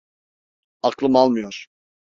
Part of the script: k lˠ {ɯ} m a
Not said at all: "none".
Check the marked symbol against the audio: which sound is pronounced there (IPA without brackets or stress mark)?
ɯ